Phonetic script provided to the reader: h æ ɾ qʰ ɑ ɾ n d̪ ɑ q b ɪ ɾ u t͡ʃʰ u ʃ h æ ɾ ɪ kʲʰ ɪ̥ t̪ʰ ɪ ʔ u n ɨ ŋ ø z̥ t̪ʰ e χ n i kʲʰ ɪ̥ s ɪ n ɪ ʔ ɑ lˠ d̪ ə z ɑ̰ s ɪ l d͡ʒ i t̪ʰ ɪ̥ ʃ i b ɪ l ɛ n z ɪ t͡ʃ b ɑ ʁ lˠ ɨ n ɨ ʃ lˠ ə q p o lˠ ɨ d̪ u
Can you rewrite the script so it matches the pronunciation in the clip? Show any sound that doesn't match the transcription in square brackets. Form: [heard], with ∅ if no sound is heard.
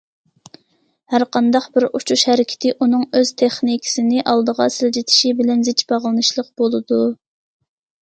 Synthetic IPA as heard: h æ ɾ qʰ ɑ [∅] n d̪ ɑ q b ɪ ɾ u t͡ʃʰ u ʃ h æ ɾ ɪ kʲʰ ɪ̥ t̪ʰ ɪ ʔ u n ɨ ŋ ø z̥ t̪ʰ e χ n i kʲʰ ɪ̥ s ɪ n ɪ ʔ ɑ lˠ d̪ ə [ʁ] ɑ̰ s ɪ l d͡ʒ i t̪ʰ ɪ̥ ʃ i b ɪ l ɛ n z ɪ t͡ʃ b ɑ ʁ lˠ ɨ n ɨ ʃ lˠ ə q [b] o lˠ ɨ d̪ u